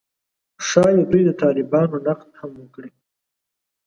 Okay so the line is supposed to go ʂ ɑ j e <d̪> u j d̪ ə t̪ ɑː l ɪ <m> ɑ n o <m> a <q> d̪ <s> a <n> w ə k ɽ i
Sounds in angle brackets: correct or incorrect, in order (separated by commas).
correct, incorrect, incorrect, correct, incorrect, incorrect